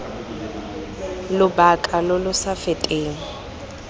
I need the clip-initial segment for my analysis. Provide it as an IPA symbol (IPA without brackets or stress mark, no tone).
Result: l